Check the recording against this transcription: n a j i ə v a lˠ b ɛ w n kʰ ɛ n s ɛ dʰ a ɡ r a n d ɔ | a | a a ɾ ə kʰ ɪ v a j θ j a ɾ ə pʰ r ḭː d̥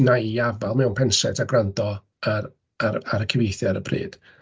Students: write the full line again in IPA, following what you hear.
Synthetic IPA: n a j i a v a lˠ m ɛ w n pʰ ɛ n s ɛ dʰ a ɡ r a n d ɔ | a | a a ɾ ə kʰ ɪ v e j θ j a ɾ ə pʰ r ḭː d̥